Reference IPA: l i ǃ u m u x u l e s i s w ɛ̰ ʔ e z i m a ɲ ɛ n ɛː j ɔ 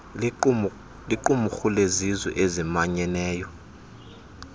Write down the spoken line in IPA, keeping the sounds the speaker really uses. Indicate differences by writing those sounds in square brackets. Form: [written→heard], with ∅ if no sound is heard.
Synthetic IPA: l i ǃ u m u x u l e [s→z] i [s→z] w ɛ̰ ʔ e z i m a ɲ ɛ n ɛː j ɔ